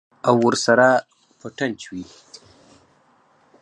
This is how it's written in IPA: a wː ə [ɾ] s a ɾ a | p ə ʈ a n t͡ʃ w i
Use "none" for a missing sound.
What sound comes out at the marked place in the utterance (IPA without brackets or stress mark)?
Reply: ɾ